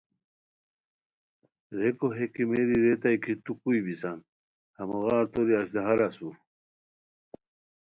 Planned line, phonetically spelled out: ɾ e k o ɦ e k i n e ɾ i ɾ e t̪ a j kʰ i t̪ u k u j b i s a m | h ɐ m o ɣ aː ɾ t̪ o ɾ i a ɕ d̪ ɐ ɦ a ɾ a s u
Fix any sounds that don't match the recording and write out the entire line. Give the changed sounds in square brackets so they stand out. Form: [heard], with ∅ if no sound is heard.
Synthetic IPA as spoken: ɾ e k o ɦ e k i [m] e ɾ i ɾ e t̪ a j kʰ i t̪ u k u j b i s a [n] | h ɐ m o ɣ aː ɾ t̪ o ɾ i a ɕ d̪ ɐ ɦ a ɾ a s u